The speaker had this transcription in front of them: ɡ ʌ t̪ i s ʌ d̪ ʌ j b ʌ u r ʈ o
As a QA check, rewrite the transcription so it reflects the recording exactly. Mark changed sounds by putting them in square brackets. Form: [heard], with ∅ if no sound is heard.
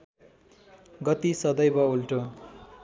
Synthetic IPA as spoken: ɡ ʌ t̪ i s ʌ d̪ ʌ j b ʌ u [l] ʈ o